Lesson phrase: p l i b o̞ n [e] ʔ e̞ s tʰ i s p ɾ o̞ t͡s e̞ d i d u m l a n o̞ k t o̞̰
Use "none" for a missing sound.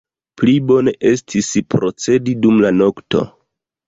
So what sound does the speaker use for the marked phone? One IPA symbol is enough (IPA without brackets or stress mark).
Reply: e